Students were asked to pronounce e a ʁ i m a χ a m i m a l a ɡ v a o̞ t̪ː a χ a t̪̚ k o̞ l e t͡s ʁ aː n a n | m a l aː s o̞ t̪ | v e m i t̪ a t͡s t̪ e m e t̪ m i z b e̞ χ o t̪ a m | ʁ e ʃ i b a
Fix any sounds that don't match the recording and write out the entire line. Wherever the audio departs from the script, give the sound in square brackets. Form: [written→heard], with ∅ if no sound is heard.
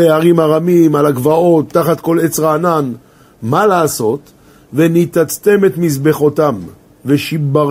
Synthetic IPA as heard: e a ʁ i m a [χ→ʁ] a m i m a l a ɡ v a o̞ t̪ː a χ a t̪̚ k o̞ l e t͡s ʁ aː n a n | m a l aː s o̞ t̪ | v e [m→n] i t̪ a t͡s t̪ e m e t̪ m i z b e̞ χ o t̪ a m | [ʁ→v] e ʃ i b a